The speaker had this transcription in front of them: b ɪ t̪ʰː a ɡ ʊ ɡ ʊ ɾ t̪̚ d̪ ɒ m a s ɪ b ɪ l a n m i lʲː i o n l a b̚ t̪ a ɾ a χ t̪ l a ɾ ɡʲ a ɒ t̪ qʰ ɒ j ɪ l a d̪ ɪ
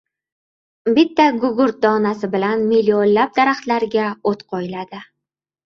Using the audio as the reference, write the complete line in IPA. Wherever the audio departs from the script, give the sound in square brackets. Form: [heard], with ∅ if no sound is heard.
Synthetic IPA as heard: b ɪ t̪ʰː a ɡ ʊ ɡ ʊ ɾ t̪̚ d̪ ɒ [n] a s ɪ b ɪ l a n m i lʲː i o n l a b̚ [d̪] a ɾ a χ t̪ l a ɾ ɡʲ a [o] t̪ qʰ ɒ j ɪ l a d̪ ɪ